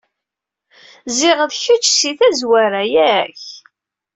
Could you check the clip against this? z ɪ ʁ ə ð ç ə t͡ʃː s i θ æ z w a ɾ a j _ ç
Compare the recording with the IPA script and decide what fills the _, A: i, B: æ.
B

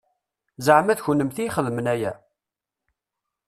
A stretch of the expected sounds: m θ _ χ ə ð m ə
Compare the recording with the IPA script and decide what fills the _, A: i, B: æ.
A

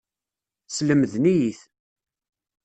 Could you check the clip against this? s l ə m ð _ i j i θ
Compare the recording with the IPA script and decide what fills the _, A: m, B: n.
B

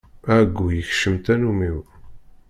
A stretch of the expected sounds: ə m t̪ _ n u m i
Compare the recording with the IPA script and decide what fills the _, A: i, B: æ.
B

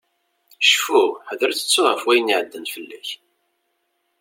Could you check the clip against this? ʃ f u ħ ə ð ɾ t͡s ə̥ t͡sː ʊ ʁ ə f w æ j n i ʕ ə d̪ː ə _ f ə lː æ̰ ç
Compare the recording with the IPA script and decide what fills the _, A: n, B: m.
A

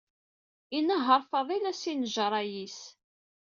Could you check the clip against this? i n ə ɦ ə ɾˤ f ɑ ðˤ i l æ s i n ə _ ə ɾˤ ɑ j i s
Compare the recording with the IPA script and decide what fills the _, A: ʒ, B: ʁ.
A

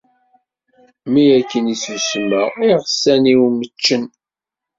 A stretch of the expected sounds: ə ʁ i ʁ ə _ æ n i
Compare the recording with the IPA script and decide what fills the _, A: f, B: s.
B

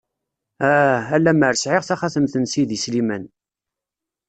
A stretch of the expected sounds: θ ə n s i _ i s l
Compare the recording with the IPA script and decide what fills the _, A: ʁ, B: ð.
B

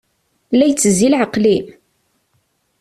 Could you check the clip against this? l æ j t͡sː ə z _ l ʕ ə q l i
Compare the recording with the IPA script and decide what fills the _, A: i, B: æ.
A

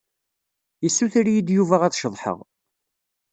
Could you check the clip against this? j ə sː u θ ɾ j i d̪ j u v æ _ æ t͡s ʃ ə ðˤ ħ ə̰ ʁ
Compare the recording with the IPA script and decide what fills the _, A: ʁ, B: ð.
A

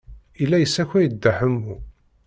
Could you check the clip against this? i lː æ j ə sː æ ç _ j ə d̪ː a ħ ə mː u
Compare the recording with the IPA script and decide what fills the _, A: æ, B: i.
A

